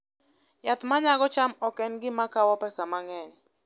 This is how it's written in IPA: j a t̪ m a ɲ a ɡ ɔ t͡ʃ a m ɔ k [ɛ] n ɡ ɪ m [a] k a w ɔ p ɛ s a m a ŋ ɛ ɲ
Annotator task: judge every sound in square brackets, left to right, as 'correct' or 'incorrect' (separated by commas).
correct, correct